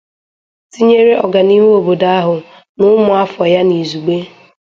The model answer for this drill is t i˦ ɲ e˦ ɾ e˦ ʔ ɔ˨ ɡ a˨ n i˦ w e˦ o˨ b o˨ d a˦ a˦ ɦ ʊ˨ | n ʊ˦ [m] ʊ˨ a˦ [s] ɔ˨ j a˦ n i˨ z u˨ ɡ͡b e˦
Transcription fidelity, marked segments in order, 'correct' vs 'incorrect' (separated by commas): correct, incorrect